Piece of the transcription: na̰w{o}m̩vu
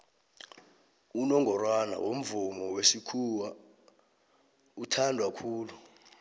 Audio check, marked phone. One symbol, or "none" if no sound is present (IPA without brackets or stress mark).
o